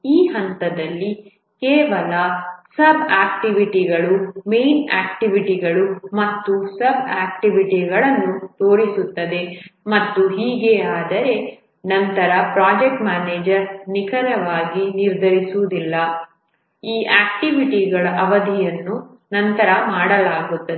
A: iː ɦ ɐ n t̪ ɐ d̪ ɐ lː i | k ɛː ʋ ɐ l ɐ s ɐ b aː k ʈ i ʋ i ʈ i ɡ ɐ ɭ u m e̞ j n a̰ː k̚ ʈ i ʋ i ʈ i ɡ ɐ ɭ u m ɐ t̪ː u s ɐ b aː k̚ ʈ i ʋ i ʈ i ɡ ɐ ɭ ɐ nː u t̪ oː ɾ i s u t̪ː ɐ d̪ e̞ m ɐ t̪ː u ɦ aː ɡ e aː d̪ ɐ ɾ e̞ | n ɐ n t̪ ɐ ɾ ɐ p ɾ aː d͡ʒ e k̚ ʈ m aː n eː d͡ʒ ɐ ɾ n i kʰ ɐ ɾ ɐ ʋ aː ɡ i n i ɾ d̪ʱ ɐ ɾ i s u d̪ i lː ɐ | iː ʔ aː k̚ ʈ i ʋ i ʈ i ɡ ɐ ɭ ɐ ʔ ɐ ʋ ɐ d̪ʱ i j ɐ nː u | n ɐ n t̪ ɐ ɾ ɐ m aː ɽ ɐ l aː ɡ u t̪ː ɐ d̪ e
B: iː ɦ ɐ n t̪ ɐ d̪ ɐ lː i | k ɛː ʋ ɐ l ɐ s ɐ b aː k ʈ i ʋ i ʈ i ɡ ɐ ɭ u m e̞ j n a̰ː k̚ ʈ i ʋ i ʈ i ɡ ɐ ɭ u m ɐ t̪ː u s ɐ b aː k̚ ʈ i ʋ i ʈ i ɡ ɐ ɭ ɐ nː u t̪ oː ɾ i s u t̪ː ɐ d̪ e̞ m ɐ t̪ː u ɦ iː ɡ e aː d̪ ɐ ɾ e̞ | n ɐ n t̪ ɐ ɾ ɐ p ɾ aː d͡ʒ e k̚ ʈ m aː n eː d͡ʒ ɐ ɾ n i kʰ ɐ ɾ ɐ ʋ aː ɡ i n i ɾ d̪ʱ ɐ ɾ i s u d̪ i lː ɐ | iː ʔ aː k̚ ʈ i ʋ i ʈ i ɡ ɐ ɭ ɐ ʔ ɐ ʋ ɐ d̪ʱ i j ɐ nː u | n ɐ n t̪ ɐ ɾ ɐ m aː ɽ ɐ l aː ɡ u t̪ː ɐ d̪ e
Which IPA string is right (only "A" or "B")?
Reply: B